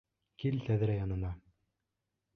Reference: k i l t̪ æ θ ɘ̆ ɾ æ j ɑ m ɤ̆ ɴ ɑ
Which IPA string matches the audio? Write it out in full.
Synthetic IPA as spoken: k i l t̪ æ ð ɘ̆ ɾ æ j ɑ n ɤ̆ n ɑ